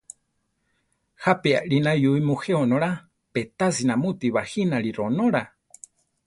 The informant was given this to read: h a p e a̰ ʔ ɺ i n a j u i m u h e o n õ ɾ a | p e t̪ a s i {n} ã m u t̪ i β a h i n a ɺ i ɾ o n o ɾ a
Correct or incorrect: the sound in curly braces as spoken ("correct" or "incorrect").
correct